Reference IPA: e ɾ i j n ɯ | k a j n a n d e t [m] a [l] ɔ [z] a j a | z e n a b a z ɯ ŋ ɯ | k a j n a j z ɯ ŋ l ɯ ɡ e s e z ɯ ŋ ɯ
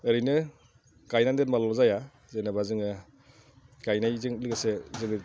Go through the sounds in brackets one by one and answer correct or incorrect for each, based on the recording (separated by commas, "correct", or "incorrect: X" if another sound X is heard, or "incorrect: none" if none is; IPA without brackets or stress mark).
correct, correct, correct